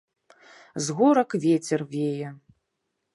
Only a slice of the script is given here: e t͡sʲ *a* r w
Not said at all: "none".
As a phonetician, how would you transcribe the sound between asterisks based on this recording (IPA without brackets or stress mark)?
ɛ